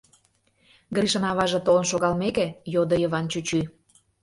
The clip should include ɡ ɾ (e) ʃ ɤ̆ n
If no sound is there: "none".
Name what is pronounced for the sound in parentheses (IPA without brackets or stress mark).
i